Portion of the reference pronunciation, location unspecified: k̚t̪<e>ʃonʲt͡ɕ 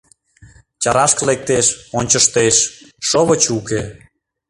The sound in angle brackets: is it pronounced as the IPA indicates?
yes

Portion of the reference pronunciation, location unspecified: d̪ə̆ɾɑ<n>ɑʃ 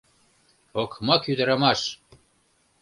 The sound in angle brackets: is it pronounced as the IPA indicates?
no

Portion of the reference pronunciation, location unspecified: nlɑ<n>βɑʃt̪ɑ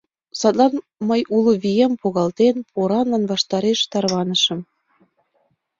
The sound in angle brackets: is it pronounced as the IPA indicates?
yes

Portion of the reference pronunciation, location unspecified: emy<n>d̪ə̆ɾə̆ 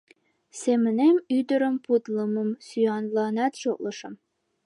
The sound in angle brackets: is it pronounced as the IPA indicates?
no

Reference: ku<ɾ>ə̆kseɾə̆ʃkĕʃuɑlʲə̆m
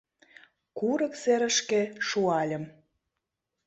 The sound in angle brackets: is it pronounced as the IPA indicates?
yes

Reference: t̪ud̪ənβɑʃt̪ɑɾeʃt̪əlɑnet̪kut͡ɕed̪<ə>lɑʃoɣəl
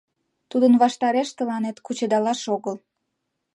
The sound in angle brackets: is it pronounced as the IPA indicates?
no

